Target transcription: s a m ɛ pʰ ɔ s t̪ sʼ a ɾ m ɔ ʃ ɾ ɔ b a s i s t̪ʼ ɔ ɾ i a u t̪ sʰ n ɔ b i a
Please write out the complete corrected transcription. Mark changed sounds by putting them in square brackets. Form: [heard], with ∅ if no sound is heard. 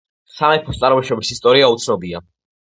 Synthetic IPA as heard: s a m ɛ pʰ ɔ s t̪ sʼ a ɾ m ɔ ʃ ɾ ɔ b [i] s i s t̪ʼ ɔ ɾ i a u t̪ sʰ n ɔ b i a